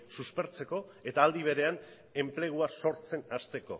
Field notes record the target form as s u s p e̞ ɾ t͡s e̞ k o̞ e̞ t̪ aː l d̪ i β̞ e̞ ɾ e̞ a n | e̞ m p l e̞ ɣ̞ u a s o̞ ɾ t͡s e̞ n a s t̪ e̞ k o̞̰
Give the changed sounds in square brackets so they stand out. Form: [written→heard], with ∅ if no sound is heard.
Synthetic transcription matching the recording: s u s p e̞ ɾ t͡s e̞ k o̞ e̞ t̪ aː l d̪ i β̞ e̞ ɾ e̞ a n | e̞ m p l e̞ ɣ̞ u a s o̞ ɾ t͡s e̞ n a s t̪ e̞ k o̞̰